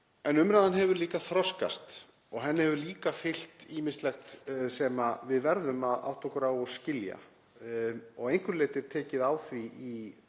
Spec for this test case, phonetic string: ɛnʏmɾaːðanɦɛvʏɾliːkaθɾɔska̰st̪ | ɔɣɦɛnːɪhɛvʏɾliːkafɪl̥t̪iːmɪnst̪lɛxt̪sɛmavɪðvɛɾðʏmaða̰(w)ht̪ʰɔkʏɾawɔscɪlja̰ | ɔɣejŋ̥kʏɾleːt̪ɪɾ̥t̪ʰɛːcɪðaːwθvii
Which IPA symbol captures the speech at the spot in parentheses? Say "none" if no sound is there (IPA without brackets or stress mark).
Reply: w